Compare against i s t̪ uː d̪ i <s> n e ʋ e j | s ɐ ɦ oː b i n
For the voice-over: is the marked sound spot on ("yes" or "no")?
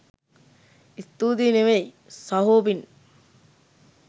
no